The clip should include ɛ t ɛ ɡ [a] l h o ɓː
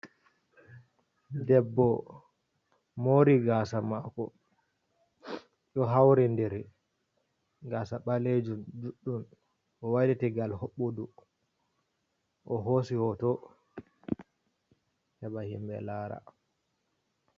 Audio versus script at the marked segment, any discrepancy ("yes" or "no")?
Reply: no